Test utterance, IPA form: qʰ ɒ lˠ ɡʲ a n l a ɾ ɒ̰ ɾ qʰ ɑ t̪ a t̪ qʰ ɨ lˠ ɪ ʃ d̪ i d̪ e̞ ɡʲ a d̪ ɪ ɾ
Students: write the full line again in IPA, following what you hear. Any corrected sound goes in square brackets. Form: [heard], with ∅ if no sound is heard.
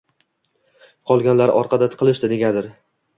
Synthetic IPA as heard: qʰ ɒ lˠ ɡʲ a n l a ɾ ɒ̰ ɾ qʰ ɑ [d̪] a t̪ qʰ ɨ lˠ ɪ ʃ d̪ [ɪ] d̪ e̞ ɡʲ a d̪ ɪ ɾ